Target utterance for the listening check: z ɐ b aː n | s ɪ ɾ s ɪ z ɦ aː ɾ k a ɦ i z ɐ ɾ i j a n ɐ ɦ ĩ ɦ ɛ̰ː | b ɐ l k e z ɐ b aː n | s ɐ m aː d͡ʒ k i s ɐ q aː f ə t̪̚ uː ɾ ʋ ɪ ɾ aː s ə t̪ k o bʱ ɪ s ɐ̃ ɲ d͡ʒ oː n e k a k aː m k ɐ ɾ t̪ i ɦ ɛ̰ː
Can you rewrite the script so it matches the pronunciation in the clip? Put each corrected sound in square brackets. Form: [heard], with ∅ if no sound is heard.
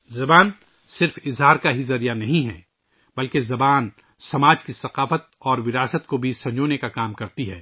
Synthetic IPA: z ɐ b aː n | s ɪ ɾ [f] ɪ z ɦ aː ɾ k a ɦ i z ɐ ɾ i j a n ɐ ɦ ĩ ɦ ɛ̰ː | b ɐ l k e z ɐ b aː n | s ɐ m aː d͡ʒ k i s ɐ q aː f ə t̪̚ [ɔː] ɾ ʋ ɪ ɾ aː s ə t̪ k o bʱ [i] s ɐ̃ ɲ d͡ʒ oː n e k a k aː m k ɐ ɾ t̪ i ɦ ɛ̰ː